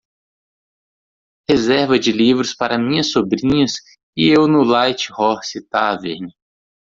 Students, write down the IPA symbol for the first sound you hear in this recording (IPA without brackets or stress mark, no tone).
h